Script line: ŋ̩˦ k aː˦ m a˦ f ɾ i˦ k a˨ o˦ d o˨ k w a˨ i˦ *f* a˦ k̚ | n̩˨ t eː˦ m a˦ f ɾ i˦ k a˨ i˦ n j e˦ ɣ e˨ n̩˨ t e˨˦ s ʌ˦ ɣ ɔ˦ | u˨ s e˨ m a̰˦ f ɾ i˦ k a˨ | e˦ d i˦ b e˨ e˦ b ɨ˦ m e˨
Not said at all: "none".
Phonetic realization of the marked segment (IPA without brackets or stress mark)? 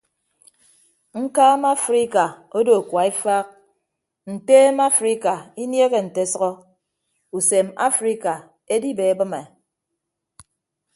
f